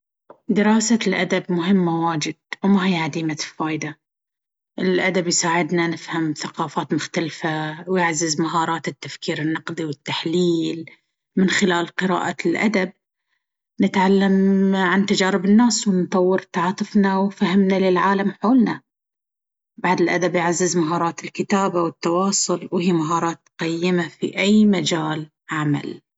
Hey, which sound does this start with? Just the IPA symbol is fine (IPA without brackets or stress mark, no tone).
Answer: d̪